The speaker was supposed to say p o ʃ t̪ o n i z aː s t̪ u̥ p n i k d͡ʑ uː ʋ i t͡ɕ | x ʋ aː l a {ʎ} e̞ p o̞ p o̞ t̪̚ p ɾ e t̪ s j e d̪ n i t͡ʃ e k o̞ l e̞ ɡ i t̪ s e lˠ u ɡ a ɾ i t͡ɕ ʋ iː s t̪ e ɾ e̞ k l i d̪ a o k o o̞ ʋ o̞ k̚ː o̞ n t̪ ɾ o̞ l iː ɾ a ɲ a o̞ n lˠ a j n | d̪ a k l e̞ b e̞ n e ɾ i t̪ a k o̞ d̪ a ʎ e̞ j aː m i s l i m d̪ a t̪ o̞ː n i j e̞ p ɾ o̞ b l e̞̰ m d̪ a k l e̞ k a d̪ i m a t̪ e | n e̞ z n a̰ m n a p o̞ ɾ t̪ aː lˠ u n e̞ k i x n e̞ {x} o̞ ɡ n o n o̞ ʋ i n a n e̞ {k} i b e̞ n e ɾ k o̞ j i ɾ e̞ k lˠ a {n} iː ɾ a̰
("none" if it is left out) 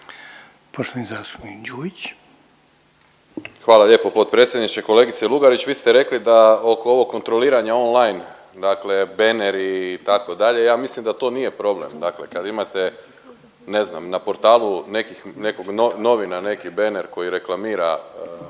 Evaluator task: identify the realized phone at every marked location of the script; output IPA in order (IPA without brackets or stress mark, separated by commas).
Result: ʎ, k, k, m